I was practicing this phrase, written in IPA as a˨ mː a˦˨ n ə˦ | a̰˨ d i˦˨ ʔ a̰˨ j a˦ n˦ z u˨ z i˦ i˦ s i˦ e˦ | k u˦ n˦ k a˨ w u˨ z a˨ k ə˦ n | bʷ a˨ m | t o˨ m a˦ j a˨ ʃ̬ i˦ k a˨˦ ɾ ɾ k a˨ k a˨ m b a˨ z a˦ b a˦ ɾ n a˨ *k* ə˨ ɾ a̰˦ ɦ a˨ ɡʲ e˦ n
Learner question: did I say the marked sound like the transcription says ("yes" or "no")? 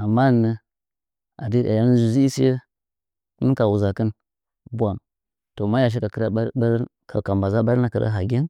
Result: yes